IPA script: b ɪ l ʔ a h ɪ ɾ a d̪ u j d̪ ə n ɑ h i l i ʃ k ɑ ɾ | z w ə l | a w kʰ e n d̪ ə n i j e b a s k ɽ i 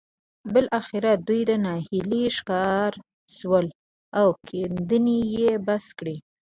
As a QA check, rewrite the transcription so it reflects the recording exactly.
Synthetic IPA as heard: b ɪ l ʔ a x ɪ ɾ a d̪ u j d̪ ə n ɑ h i l i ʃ k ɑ ɾ | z w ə l | a w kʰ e n d̪ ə n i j e b a s k ɽ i